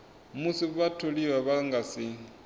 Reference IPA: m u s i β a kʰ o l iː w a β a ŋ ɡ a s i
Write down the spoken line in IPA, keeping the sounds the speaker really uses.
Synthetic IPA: m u s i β a tʰ o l i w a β a ŋ ɡ a s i